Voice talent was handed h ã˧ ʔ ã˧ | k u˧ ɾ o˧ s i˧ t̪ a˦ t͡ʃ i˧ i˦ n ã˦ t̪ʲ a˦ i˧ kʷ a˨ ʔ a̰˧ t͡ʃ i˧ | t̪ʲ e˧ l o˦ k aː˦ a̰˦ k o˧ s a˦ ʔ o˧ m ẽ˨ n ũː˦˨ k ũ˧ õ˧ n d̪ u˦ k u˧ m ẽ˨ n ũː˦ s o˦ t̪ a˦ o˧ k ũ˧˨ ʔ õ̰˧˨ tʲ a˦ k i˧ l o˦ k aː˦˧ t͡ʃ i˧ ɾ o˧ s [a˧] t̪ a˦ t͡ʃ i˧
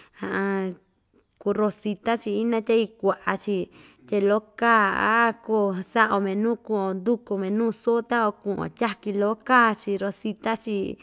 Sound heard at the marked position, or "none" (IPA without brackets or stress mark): i˧